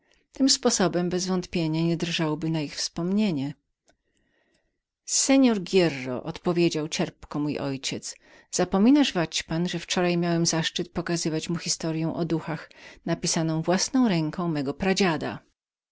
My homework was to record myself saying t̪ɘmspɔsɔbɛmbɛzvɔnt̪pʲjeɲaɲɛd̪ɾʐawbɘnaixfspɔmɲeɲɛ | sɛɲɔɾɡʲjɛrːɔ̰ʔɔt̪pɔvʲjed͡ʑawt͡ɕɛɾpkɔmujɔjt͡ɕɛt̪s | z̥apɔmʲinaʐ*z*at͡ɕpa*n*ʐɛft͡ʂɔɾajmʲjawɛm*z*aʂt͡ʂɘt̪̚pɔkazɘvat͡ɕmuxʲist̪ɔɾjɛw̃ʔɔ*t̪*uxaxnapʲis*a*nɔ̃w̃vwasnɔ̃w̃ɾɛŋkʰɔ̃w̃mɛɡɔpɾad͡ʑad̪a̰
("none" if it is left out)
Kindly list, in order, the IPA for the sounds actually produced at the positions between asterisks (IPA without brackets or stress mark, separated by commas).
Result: v, n, z, d̪, a